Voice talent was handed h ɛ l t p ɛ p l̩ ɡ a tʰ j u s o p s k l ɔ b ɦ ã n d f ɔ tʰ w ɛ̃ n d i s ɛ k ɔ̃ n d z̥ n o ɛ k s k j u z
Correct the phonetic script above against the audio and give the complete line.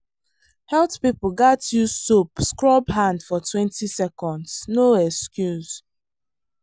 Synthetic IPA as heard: h ɛ l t p i p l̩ ɡ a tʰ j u s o p s k ɹ ɔ b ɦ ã n d f ɔ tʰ w ɛ̃ n t i s ɛ k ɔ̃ n d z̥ n o ɛ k s k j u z